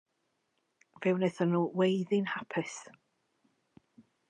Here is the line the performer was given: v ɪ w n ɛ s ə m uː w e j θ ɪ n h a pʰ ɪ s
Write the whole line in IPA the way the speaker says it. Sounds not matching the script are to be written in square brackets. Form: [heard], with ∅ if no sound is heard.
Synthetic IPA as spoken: v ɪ w n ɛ [θ] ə [n] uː w e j [ð] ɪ n h a pʰ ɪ s